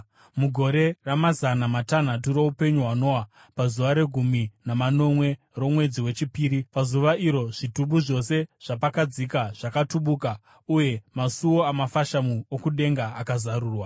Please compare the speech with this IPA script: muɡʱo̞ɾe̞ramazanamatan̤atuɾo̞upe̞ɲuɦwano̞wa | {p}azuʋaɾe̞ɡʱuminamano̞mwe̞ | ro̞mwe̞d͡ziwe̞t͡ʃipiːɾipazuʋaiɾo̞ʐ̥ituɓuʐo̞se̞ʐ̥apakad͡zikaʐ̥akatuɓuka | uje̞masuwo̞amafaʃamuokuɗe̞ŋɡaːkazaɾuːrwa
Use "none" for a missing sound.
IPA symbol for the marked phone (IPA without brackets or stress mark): p